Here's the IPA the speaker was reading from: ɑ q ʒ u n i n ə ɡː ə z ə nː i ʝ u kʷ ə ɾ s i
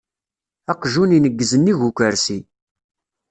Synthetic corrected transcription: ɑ q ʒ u n i n ə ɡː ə z ə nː i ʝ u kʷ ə ɾ s i